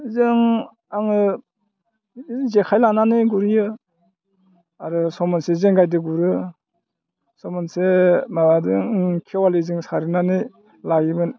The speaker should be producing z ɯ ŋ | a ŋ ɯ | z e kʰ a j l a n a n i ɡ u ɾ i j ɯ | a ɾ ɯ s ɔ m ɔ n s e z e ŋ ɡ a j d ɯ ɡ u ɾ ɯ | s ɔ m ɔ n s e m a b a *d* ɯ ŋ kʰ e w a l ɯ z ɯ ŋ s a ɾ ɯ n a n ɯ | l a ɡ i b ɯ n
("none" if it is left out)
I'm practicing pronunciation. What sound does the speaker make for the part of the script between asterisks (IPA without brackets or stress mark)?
d